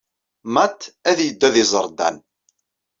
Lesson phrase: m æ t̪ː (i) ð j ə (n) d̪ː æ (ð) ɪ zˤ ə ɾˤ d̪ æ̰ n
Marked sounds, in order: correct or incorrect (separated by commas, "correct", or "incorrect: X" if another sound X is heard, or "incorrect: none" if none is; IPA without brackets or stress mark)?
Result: incorrect: æ, incorrect: none, correct